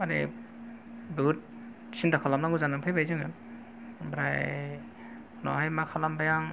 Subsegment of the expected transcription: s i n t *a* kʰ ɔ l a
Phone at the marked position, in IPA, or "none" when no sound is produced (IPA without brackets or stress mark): a